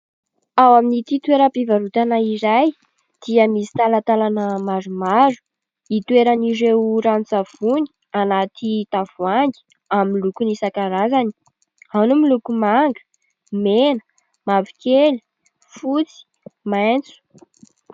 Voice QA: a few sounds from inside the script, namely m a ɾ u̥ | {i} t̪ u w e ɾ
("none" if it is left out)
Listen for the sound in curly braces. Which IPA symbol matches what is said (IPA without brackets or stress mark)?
i